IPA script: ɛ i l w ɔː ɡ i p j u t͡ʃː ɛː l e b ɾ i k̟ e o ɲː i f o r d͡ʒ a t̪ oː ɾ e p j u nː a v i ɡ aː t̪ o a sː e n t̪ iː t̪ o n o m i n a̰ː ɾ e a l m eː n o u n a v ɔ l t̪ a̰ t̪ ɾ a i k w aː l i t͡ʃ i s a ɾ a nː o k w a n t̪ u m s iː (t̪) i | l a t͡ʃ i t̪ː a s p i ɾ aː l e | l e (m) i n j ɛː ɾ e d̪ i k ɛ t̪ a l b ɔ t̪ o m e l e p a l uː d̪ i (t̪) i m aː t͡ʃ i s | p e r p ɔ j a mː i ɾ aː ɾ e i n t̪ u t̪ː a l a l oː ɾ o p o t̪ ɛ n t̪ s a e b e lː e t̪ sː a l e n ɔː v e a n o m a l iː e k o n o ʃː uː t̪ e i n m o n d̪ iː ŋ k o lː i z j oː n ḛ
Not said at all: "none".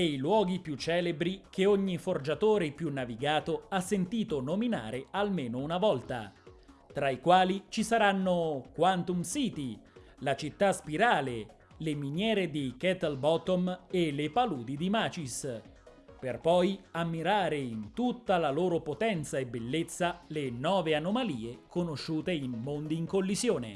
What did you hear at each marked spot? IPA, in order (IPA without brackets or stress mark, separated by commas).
t̪, m, d̪